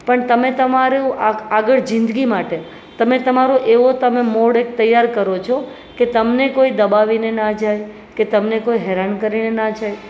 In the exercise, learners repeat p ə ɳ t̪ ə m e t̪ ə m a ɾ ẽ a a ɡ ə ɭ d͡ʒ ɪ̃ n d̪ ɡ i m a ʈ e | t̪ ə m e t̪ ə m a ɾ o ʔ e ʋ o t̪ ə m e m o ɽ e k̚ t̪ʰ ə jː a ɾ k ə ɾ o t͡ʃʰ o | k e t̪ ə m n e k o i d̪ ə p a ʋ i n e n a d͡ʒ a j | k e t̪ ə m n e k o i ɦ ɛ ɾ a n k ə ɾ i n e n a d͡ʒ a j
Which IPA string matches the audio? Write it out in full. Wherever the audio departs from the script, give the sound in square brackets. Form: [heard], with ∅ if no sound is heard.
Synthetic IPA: p ə ɳ t̪ ə m e t̪ ə m a ɾ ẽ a a ɡ ə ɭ d͡ʒ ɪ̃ n d̪ ɡ i m a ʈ e | t̪ ə m e t̪ ə m a ɾ o ʔ e ʋ o t̪ ə m e m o ɽ e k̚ [t̪] ə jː a ɾ k ə ɾ o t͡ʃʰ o | k e t̪ ə m n e k o i d̪ ə [b] a ʋ i n e n a d͡ʒ a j | k e t̪ ə m n e k o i ɦ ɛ ɾ a n k ə ɾ i n e n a d͡ʒ a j